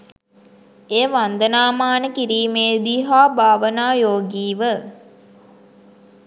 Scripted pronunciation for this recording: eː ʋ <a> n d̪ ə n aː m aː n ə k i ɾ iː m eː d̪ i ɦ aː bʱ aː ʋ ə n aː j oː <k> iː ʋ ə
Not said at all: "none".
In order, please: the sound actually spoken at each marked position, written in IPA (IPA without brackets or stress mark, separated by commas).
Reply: a, ɡ